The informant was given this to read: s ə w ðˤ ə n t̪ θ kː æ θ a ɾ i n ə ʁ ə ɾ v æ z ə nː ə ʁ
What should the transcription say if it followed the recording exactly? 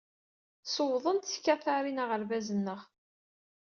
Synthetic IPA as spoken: s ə w ðˤ ə n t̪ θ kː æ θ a ɾ i n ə ʁ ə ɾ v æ z ə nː ə ʁ